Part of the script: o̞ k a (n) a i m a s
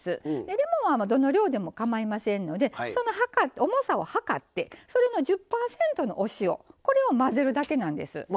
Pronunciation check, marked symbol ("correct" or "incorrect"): incorrect